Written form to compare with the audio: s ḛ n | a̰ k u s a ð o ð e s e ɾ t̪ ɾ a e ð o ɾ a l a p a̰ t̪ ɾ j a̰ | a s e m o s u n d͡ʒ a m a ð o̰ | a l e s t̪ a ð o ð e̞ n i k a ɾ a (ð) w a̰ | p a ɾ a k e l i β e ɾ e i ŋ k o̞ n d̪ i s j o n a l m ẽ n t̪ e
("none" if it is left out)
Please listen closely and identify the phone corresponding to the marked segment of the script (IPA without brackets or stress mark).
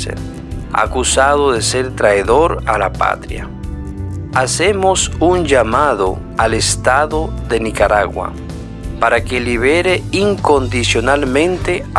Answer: ɣ